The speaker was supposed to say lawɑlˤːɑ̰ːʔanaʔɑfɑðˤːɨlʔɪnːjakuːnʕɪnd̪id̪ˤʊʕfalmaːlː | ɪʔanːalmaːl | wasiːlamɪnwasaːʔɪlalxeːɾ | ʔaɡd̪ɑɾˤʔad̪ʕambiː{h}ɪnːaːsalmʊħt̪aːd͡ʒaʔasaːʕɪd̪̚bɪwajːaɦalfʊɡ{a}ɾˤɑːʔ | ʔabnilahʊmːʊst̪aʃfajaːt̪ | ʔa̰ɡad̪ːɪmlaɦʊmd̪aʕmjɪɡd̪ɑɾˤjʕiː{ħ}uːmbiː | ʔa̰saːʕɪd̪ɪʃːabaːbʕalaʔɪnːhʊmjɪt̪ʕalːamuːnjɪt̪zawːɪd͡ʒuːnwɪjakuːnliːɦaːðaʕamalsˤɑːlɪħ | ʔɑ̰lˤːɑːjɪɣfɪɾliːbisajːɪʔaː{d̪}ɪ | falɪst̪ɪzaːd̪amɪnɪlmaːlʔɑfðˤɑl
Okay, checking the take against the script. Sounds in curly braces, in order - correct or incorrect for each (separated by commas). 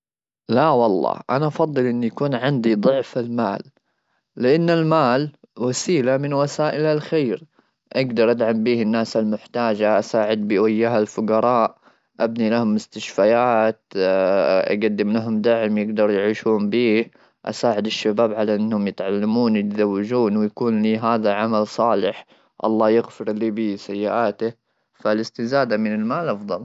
correct, incorrect, incorrect, incorrect